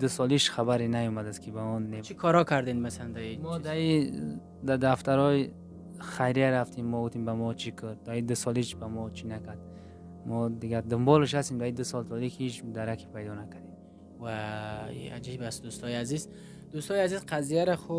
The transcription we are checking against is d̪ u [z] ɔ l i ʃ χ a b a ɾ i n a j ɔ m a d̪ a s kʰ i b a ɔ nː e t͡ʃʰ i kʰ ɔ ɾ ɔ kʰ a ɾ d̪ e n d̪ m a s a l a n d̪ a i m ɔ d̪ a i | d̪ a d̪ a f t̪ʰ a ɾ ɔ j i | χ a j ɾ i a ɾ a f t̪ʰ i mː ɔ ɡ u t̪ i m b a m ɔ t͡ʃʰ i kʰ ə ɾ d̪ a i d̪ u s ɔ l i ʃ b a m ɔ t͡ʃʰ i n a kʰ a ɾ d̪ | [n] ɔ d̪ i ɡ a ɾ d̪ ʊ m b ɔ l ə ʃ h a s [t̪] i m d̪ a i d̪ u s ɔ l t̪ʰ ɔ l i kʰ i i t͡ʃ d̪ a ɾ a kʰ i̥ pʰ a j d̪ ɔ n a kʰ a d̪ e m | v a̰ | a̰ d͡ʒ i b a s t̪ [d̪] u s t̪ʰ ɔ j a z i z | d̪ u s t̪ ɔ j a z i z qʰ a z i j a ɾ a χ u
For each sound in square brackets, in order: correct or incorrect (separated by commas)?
incorrect, incorrect, correct, correct